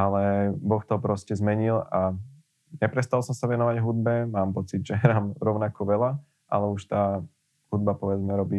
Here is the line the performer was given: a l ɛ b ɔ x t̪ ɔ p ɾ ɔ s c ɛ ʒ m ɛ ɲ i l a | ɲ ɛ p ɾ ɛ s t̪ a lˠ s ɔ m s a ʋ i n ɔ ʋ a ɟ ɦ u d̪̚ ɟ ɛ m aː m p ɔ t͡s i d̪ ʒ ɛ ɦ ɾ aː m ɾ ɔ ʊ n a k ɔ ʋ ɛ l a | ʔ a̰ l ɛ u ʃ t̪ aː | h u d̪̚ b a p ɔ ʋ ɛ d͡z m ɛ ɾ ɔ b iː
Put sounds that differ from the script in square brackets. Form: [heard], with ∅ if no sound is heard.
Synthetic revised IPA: a l ɛ b ɔ x t̪ ɔ p ɾ ɔ s c ɛ [z] m ɛ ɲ i l a | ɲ ɛ p ɾ ɛ s t̪ a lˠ s ɔ m s a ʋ [ɛ] n ɔ ʋ a ɟ ɦ u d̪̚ [b] ɛ m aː m p ɔ t͡s i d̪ ʒ ɛ ɦ ɾ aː m ɾ ɔ ʊ n a k ɔ ʋ ɛ l a | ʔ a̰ l ɛ u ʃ t̪ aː | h u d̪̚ b a p ɔ ʋ ɛ d͡z m ɛ ɾ ɔ b iː